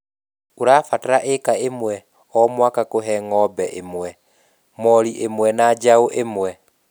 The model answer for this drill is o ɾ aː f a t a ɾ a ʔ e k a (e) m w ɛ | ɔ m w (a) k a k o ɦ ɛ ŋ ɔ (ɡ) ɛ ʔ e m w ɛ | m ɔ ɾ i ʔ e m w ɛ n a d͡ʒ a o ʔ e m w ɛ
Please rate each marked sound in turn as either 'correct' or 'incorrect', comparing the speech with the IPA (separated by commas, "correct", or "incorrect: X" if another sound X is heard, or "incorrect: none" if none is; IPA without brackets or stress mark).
correct, correct, incorrect: b